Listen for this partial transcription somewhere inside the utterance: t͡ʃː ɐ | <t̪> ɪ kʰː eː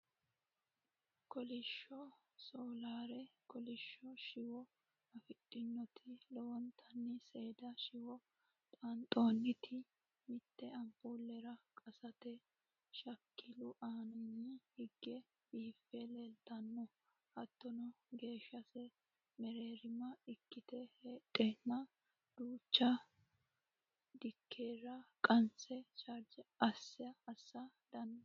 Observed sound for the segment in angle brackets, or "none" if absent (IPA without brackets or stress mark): d̪